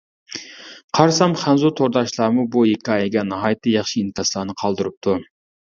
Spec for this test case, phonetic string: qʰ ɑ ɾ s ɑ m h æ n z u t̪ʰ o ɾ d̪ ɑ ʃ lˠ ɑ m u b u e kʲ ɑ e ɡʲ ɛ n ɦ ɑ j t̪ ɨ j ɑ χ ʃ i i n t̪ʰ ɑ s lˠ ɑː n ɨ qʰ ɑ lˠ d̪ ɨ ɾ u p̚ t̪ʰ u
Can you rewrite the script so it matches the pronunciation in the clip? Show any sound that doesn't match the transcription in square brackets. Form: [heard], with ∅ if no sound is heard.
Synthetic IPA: qʰ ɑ ɾ s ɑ m [χ] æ n z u t̪ʰ o ɾ d̪ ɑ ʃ lˠ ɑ m u b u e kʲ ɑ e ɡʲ ɛ n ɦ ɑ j t̪ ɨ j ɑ χ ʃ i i n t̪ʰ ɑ s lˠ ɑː n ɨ qʰ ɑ lˠ d̪ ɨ ɾ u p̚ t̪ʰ u